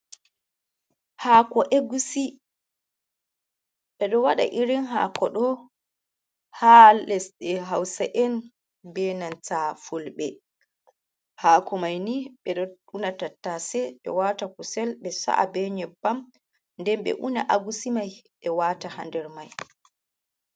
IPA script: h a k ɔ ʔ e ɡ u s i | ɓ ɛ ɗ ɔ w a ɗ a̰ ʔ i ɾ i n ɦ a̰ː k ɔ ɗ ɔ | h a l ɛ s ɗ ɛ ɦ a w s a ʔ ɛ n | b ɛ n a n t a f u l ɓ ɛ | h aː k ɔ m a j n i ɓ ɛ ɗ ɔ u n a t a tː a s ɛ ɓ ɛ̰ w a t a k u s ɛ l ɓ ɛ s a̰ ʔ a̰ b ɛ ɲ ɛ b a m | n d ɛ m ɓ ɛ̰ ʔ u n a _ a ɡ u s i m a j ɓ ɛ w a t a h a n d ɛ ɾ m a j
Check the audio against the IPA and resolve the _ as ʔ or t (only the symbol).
ʔ